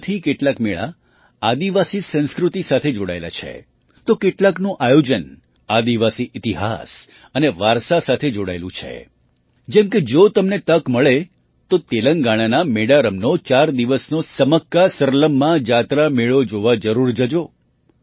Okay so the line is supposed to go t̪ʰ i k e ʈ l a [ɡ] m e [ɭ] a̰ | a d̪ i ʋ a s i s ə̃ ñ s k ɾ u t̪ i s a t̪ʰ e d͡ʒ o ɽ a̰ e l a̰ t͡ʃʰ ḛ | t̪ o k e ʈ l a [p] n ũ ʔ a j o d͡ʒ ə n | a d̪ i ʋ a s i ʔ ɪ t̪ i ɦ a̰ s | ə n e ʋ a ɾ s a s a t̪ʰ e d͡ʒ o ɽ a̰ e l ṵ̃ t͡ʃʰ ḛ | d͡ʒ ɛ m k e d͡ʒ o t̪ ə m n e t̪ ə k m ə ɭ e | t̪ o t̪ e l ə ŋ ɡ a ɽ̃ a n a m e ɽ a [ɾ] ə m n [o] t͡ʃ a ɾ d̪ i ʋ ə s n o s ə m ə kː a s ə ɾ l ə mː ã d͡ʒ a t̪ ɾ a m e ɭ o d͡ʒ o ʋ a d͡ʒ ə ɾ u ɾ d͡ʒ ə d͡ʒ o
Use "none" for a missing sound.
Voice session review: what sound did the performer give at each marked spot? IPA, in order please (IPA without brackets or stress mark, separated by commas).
k, ɭ, k, ɾ, o